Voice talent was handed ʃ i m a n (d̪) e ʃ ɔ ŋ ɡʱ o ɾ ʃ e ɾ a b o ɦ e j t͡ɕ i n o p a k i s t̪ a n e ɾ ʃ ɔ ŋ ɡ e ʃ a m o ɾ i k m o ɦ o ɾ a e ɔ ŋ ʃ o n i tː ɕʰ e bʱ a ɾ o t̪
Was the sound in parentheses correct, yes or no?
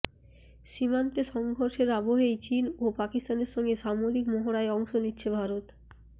no